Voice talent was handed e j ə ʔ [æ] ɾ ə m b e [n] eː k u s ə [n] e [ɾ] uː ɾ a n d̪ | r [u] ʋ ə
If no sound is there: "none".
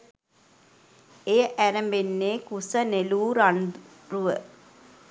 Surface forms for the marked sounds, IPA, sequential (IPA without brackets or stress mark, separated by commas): æ, nː, n, l, u